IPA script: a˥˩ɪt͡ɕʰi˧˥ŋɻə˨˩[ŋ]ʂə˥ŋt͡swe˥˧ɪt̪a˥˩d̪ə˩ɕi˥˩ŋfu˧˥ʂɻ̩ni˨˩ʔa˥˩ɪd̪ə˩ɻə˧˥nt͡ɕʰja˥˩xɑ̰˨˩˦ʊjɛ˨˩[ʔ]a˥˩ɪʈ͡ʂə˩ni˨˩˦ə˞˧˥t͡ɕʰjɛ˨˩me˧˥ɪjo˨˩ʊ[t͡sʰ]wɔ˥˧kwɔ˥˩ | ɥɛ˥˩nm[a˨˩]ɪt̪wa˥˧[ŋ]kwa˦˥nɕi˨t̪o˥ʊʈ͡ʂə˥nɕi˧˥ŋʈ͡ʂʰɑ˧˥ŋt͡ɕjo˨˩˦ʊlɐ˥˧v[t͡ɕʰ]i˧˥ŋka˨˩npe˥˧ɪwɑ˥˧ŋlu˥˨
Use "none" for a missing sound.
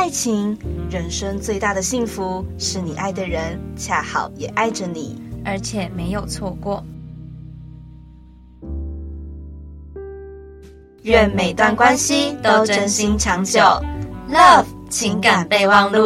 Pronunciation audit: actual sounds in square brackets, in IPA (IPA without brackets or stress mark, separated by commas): n, ʔ, t͡sʰ, e˨˩, n, t͡ɕʰ